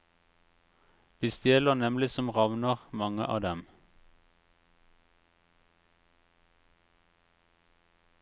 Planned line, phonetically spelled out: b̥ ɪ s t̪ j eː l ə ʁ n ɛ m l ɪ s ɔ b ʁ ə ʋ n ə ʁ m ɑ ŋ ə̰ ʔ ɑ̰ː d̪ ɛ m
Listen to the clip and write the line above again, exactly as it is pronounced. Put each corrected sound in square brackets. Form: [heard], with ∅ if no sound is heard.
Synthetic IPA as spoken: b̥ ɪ s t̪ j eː l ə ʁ n ɛ m l ɪ s ɔ [m] ʁ [ɑ] ʋ n ə ʁ m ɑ ŋ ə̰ ʔ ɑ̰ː d̪ ɛ m

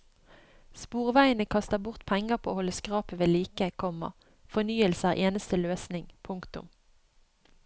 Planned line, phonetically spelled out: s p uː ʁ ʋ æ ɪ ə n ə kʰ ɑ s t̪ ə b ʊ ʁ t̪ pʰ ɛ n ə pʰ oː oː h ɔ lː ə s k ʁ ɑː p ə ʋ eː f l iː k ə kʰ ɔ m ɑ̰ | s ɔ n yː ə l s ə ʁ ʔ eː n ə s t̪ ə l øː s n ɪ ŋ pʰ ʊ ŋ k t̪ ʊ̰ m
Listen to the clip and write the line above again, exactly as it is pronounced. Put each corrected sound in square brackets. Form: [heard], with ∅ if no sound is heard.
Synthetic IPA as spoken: s p uː ʁ ʋ æ ɪ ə n ə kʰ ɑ s t̪ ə b ʊ ʁ t̪ pʰ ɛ [ŋ] ə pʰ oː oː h ɔ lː ə s k ʁ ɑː p ə ʋ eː [∅] l iː k ə kʰ ɔ m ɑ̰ | [f] ɔ n yː ə l s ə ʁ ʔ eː n ə s t̪ ə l øː s n ɪ ŋ pʰ ʊ ŋ k t̪ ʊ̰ m

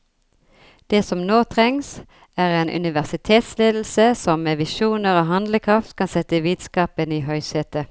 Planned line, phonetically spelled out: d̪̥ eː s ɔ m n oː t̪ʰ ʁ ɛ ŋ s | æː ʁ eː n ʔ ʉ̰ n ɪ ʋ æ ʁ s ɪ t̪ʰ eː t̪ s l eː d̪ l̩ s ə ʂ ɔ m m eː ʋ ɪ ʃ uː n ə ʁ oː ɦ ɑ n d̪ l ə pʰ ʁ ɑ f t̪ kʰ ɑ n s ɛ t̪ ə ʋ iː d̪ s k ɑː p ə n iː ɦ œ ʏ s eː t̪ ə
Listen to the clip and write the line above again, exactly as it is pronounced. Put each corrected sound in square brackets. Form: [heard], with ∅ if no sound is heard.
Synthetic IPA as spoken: d̪̥ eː s ɔ m n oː t̪ʰ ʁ ɛ ŋ s | æː ʁ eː n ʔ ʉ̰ n ɪ ʋ æ ʁ s ɪ t̪ʰ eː t̪ s l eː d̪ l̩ s ə [s] ɔ m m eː ʋ ɪ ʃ uː n ə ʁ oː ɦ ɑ n d̪ l ə [kʰ] ʁ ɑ f t̪ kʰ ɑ n s ɛ t̪ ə ʋ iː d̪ s k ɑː p ə n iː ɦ œ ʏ s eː t̪ ə

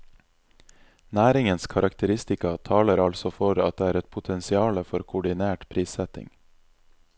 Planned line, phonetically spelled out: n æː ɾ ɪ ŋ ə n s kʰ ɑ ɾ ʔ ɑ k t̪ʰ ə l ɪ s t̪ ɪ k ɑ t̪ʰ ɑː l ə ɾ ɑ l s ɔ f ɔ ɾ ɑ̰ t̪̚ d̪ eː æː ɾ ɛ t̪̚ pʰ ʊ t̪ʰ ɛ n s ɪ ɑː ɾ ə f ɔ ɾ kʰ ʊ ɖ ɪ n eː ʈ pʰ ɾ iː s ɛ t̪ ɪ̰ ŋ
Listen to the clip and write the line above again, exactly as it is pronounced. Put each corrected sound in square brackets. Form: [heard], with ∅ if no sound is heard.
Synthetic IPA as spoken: n æː ɾ ɪ ŋ ə n s kʰ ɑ ɾ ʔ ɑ k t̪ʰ ə [ɾ] ɪ s t̪ ɪ k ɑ t̪ʰ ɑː l ə ɾ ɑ l s ɔ f ɔ ɾ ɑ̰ t̪̚ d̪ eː æː ɾ ɛ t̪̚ pʰ ʊ t̪ʰ ɛ n s ɪ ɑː [l] ə f ɔ ɾ kʰ ʊ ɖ ɪ n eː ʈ pʰ ɾ iː s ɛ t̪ ɪ̰ ŋ

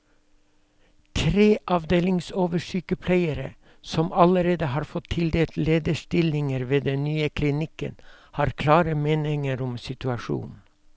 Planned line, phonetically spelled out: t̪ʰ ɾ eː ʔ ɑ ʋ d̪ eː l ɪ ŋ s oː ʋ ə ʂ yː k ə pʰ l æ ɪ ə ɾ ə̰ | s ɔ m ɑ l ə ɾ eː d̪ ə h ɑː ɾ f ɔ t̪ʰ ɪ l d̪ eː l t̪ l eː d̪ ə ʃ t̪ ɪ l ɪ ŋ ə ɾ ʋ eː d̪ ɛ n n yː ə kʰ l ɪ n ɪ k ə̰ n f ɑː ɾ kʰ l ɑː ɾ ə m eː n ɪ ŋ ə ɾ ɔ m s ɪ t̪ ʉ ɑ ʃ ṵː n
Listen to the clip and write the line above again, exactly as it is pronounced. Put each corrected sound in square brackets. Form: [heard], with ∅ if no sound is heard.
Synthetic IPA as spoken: t̪ʰ ɾ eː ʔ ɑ ʋ d̪ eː l ɪ ŋ s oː ʋ ə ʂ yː k ə pʰ l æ ɪ ə ɾ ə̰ | s ɔ m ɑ l ə ɾ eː d̪ ə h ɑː ɾ f ɔ t̪ʰ ɪ l d̪ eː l t̪ l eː d̪ ə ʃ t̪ ɪ l ɪ ŋ ə ɾ ʋ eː d̪ ɛ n n yː ə kʰ l ɪ n ɪ k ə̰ n [h] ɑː ɾ kʰ l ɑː ɾ ə m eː n ɪ ŋ ə ɾ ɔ m s ɪ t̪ ʉ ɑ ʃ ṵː n

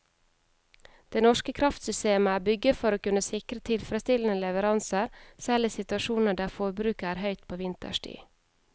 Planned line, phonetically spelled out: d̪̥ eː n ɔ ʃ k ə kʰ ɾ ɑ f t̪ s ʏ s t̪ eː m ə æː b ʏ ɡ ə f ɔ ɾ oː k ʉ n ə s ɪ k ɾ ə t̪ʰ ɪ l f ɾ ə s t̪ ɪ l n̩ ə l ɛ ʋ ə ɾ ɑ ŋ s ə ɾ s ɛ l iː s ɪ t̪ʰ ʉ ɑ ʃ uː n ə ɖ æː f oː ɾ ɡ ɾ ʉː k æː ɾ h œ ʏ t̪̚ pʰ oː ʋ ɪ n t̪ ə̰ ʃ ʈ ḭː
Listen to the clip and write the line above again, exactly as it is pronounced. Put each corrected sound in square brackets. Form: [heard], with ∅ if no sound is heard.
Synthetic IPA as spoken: d̪̥ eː n ɔ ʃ k ə kʰ ɾ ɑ f t̪ s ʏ s t̪ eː m ə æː b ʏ ɡ ə f ɔ ɾ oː k ʉ n ə s ɪ k ɾ ə t̪ʰ ɪ l f ɾ ə s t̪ ɪ l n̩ ə l ɛ ʋ ə ɾ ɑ [n] s ə ɾ s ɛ l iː s ɪ [t̪] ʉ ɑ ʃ uː n ə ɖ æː f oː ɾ [b] ɾ ʉː k æː ɾ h œ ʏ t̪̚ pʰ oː ʋ ɪ n t̪ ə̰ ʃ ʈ ḭː

